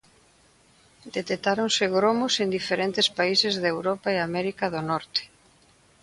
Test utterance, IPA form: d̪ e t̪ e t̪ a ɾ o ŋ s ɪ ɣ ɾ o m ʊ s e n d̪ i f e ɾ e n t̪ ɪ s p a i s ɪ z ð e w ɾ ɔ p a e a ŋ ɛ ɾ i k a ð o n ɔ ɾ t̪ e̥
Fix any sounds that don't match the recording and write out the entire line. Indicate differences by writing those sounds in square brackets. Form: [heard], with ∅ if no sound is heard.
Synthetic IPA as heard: d̪ e t̪ e t̪ a ɾ o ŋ s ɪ ɣ ɾ o m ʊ s e n d̪ i f e ɾ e n t̪ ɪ s p a i s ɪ z ð e w ɾ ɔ p a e a [m] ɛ ɾ i k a ð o n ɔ ɾ t̪ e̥